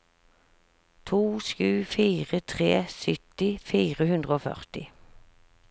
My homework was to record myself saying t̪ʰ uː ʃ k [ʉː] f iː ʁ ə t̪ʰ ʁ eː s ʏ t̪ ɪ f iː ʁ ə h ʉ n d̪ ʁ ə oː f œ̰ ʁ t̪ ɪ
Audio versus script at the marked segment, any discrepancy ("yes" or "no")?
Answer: no